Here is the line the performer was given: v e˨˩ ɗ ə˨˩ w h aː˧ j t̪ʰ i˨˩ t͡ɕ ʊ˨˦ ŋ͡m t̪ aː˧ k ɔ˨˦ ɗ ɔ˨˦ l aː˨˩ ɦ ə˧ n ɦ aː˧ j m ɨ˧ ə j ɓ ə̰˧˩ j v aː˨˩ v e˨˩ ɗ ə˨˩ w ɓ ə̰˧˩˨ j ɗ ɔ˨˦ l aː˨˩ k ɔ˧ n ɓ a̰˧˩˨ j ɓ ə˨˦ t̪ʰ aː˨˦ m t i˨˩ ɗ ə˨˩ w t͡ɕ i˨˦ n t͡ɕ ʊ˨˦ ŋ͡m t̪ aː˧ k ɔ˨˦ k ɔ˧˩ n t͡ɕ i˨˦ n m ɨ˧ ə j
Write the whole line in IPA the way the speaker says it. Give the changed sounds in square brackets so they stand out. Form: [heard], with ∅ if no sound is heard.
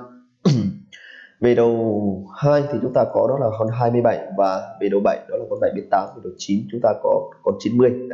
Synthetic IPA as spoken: v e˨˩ ɗ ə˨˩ w h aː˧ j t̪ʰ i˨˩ t͡ɕ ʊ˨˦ ŋ͡m t̪ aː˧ k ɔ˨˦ ɗ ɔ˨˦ l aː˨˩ ɦ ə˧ n ɦ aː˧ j m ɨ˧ ə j ɓ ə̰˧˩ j v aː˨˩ v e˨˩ ɗ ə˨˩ w ɓ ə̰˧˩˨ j ɗ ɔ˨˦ l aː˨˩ k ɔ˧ n ɓ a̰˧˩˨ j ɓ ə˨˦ [t̪] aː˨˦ m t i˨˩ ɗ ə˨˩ w t͡ɕ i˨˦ n t͡ɕ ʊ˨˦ ŋ͡m t̪ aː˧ k ɔ˨˦ k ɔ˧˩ n t͡ɕ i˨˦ n m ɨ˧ ə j